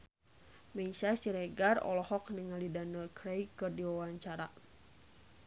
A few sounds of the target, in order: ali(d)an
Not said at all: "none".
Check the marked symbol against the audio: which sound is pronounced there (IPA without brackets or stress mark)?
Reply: d